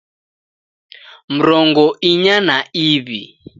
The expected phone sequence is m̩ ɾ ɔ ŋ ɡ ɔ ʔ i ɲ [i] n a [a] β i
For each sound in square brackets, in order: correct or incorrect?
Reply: incorrect: a, incorrect: i

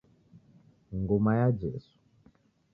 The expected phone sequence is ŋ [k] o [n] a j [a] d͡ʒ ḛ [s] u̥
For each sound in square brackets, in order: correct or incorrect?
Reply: incorrect: ɡ, incorrect: m, correct, correct

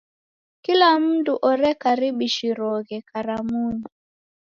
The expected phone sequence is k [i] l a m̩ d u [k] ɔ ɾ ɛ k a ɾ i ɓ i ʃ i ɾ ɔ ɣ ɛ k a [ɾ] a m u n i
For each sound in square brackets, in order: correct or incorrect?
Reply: correct, incorrect: ʔ, correct

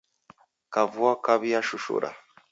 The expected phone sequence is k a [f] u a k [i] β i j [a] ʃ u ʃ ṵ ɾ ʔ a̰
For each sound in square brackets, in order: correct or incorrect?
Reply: incorrect: v, incorrect: a, correct

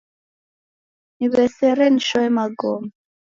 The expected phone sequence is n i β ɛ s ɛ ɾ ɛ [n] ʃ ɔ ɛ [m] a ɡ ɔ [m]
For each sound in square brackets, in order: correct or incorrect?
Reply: correct, correct, correct

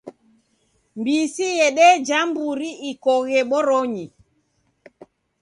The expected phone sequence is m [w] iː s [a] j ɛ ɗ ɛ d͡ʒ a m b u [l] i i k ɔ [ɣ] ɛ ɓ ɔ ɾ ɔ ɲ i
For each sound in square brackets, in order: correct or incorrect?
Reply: incorrect: b, incorrect: i, incorrect: ɾ, correct

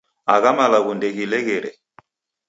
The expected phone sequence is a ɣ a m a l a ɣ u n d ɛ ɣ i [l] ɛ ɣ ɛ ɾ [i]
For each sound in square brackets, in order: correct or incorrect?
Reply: correct, incorrect: ɛ

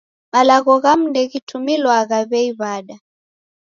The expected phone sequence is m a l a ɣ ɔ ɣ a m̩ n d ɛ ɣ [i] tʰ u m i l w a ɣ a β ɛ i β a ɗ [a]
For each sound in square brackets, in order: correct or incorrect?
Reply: correct, correct

